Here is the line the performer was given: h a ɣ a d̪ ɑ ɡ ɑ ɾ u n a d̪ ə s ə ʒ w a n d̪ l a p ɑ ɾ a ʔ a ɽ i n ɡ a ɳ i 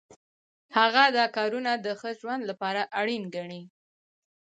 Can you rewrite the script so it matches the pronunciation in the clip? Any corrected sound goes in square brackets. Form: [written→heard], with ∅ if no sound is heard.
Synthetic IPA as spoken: h a ɣ a d̪ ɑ [ɡ→k] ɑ ɾ u n a d̪ ə [s→x] ə ʒ w a n d̪ l a p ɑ ɾ a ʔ a ɽ i n ɡ a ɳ i

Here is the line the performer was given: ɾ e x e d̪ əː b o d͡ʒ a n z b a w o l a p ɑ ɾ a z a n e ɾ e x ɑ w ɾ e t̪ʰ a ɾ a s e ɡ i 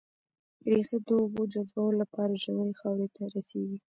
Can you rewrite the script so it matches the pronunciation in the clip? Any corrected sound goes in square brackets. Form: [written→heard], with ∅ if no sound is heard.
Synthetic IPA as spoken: ɾ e x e d̪ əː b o d͡ʒ a [n→∅] z b a w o l a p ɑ ɾ a [z→ʒ] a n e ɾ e x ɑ w ɾ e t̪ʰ a ɾ a s e ɡ i

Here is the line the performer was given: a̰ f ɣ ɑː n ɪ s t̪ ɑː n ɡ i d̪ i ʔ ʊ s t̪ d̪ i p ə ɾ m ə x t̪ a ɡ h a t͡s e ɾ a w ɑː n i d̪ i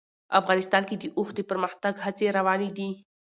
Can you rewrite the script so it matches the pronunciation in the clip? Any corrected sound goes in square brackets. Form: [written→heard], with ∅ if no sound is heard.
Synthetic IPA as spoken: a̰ f ɣ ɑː n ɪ s t̪ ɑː n [ɡ→k] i d̪ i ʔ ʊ [s→x] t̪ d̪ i p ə ɾ m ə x t̪ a ɡ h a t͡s e ɾ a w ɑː n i d̪ i

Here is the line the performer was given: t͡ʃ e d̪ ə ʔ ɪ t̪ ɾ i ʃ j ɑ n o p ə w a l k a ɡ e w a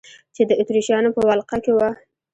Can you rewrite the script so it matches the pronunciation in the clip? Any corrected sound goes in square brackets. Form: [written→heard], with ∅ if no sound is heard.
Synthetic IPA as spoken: t͡ʃ e d̪ ə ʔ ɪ t̪ ɾ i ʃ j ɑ n o p ə w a l [k→q] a [ɡ→k] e w a

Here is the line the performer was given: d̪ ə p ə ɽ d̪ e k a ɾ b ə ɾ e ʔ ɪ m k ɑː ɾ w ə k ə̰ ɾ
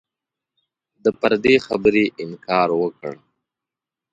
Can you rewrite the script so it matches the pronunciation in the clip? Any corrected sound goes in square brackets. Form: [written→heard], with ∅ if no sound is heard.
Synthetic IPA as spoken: d̪ ə p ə [ɽ→ɾ] d̪ e [k→x] a [ɾ→∅] b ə ɾ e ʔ ɪ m k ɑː ɾ w ə k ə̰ [ɾ→ɽ]

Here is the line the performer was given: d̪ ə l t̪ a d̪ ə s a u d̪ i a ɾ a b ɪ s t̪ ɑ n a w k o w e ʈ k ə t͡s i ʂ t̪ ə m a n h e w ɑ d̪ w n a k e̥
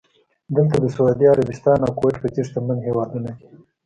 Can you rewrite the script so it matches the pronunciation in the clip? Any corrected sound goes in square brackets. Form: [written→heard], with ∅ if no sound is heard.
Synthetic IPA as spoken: d̪ ə l t̪ a d̪ ə s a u d̪ i a ɾ a b ɪ s t̪ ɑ n a w k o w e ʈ [k→p] ə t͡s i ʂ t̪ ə m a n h e w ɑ d̪ [w→u] n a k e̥

